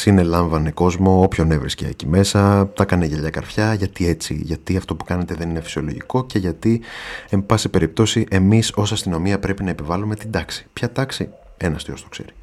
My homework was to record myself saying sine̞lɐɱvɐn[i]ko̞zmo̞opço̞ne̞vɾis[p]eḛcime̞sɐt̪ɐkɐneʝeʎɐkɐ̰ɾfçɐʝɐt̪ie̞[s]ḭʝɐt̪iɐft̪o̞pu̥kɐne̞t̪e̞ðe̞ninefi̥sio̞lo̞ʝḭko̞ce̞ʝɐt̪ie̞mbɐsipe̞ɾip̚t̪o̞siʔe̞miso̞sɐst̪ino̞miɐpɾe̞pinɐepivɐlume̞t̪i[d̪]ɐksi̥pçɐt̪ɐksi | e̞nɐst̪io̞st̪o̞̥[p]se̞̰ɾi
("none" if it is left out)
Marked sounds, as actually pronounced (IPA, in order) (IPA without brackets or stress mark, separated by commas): e, c, t͡s, d̪, k